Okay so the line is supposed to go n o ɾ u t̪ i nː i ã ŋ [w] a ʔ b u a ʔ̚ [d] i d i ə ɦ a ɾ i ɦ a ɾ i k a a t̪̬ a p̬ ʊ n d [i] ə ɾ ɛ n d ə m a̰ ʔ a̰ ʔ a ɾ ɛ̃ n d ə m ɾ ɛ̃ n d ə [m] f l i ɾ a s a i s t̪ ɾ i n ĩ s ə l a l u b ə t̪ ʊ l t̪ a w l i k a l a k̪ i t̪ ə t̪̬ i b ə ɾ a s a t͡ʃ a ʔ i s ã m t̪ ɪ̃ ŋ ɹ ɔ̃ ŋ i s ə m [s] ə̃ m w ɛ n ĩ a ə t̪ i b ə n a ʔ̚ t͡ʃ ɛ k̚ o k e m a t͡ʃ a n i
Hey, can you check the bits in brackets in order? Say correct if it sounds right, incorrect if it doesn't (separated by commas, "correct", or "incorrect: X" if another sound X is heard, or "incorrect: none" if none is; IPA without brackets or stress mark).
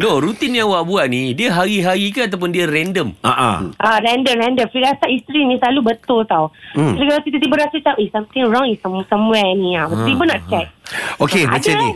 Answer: correct, incorrect: n, correct, correct, correct